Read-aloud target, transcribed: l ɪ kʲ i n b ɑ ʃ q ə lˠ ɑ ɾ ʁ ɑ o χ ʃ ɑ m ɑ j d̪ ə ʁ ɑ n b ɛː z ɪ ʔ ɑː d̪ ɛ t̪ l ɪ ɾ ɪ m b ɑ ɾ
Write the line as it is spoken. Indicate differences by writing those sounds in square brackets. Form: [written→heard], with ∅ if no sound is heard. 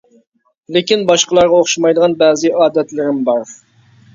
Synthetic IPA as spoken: l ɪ kʲ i n b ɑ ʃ q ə lˠ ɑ ɾ ʁ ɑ o χ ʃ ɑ m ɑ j d̪ ə ʁ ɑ n b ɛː z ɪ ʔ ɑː d̪ ɛ t̪ l ɪ ɾ ɪ m b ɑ ɾ